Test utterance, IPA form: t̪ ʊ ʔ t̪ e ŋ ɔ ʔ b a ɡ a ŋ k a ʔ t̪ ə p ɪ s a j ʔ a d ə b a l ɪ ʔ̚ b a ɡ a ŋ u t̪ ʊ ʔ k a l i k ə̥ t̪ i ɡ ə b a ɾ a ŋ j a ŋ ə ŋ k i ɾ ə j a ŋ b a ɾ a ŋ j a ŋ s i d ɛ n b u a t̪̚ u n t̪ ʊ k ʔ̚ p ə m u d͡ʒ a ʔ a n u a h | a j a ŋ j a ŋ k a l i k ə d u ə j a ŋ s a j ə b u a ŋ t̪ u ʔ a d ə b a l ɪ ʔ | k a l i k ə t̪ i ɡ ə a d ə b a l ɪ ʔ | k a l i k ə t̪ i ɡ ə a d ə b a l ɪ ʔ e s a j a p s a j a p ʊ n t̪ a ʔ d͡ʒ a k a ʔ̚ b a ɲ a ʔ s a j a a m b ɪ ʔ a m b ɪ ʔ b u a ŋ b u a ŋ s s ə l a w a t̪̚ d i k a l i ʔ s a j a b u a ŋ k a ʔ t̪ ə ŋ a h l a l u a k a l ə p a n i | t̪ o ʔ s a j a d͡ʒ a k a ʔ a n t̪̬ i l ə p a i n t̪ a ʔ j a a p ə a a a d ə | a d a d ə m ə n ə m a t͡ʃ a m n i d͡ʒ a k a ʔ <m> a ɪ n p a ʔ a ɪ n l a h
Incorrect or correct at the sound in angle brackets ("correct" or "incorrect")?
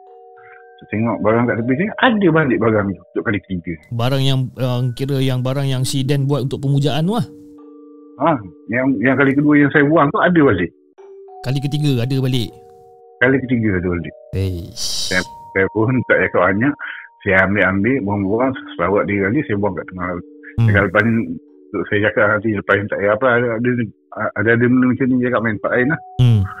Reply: correct